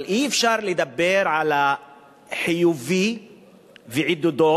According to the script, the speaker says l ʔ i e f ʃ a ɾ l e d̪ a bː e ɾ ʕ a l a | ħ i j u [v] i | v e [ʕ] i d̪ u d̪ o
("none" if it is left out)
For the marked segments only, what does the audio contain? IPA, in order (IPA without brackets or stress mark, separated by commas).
v, ʕ